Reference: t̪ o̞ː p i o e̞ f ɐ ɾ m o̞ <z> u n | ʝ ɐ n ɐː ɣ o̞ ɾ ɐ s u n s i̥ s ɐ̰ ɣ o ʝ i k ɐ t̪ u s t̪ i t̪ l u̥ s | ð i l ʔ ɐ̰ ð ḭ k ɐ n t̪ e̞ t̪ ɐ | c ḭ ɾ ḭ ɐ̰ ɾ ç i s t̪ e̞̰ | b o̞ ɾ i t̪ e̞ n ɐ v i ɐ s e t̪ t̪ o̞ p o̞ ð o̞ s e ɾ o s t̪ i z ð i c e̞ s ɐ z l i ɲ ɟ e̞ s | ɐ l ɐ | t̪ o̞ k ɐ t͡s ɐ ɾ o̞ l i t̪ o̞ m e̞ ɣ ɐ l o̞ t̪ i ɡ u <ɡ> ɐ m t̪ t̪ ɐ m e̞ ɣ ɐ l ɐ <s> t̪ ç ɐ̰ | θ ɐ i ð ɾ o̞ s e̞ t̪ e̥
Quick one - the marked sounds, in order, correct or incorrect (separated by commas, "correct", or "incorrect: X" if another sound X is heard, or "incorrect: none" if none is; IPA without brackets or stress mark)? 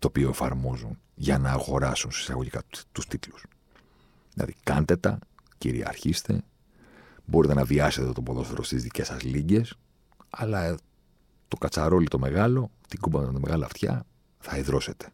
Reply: correct, incorrect: b, incorrect: f